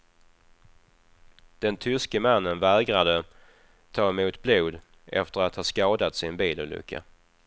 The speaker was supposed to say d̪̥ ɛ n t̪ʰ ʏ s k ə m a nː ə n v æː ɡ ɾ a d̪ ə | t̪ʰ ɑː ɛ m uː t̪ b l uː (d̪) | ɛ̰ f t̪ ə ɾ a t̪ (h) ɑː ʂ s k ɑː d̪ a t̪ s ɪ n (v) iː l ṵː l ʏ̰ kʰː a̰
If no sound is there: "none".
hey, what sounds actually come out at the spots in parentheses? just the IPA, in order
d̪, h, b

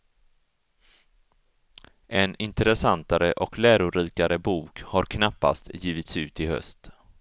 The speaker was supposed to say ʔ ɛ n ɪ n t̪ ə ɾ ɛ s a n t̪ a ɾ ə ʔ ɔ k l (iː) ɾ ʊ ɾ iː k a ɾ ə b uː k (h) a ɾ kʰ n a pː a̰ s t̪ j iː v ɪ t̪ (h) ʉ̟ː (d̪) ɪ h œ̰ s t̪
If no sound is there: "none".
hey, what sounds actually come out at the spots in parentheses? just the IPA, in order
æː, h, s, t̪

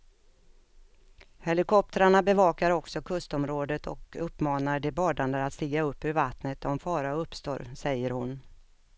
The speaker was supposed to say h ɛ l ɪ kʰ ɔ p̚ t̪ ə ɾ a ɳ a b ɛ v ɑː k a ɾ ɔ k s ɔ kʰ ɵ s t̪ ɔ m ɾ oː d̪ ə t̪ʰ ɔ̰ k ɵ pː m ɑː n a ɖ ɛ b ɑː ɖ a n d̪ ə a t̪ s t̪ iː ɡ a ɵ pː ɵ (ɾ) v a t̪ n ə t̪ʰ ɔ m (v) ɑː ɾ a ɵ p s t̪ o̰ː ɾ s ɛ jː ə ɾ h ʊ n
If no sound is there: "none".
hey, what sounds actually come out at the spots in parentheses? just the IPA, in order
ɾ, f

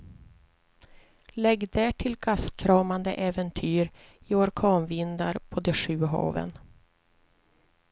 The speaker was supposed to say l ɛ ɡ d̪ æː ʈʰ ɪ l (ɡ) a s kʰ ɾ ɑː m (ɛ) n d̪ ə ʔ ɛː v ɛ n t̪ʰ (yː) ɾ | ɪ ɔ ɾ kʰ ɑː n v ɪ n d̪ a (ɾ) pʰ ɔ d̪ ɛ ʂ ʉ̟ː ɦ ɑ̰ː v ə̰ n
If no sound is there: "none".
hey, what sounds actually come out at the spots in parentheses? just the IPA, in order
ɡ, a, yː, ɾ

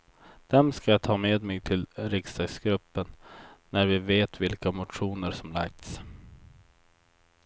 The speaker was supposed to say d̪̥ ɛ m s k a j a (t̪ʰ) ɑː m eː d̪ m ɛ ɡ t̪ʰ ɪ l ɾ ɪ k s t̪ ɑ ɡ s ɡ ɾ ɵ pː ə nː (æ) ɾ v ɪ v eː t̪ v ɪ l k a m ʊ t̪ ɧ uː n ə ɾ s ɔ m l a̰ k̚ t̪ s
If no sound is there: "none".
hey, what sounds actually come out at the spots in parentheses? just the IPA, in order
t̪ʰ, æ

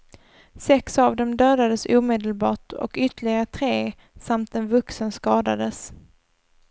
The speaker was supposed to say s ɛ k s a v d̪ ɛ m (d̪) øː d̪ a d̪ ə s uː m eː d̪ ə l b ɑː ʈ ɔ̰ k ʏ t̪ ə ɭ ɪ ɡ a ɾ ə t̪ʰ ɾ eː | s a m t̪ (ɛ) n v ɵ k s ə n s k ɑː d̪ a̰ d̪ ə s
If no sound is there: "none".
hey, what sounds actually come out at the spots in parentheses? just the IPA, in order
d̪, ɛ

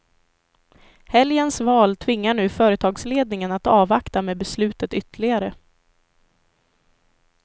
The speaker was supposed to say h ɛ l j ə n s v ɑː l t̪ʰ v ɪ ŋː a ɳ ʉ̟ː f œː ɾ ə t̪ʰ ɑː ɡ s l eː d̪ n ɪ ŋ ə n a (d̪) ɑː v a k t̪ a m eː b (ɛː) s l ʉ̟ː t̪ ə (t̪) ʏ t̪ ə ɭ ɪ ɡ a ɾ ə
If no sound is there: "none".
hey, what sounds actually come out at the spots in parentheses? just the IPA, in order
t̪, ɛ, t̪

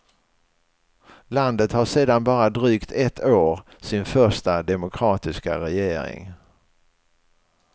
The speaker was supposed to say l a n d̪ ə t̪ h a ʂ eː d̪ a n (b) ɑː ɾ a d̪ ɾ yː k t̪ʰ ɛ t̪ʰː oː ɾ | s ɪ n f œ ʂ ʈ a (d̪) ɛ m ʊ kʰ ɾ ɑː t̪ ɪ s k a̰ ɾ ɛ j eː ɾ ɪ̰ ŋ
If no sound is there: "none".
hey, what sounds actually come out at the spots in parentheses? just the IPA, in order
b, d̪

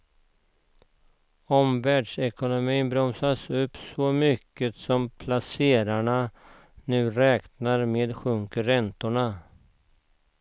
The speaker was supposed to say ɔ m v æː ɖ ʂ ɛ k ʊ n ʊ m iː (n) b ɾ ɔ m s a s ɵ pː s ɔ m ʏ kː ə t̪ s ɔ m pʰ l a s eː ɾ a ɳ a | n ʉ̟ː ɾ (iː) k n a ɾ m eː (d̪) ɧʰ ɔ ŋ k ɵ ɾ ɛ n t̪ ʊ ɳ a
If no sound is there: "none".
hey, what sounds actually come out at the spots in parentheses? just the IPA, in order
n, ɛː, d̪

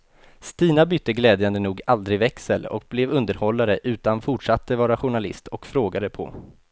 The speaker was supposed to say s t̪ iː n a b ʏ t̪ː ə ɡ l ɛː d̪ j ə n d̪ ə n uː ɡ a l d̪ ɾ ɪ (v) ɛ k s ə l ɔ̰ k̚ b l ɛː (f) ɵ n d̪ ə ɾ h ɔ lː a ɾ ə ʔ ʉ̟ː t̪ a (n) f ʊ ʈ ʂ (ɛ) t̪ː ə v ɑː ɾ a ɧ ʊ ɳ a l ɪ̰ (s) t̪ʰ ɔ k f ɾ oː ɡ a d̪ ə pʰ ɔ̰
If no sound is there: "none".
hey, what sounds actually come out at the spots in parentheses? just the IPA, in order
v, v, n, a, s

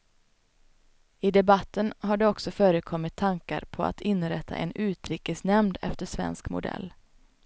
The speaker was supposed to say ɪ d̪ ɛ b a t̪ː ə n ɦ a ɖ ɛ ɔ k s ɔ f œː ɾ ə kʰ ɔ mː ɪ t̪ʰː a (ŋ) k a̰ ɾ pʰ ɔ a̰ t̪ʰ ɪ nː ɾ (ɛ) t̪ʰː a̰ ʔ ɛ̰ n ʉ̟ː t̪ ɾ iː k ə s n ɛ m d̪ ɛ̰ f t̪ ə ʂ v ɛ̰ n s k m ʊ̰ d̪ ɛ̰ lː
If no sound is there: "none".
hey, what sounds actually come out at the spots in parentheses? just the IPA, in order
ŋ, ɛ

